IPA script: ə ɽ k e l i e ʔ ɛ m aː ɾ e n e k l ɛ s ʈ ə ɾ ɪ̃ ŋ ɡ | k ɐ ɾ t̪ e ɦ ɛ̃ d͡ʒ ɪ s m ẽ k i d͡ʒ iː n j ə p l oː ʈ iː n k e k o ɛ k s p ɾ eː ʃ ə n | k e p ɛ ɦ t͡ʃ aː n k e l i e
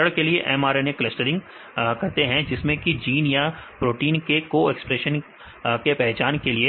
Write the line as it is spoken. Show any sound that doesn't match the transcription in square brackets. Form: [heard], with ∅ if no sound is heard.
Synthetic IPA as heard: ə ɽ k e l i e ʔ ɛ m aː ɾ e n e k l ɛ s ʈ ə ɾ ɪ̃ ŋ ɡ | k ɐ ɾ t̪ e ɦ ɛ̃ d͡ʒ ɪ s m ẽ k i d͡ʒ iː n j [a] p [ɾ] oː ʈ iː n k e k o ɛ k s p ɾ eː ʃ ə n | k e p ɛ ɦ t͡ʃ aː n k e l i e